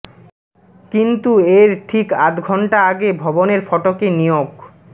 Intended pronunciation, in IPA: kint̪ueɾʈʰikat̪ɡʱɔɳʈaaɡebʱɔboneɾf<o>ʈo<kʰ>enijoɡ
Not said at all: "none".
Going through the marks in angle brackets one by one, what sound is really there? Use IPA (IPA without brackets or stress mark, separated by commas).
ɔ, k